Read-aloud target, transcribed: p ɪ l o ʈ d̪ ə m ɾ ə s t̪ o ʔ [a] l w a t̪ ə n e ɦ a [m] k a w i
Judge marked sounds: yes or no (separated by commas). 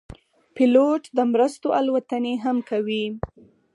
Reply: yes, yes